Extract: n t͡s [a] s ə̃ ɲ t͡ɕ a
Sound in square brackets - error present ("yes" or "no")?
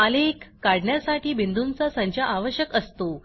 no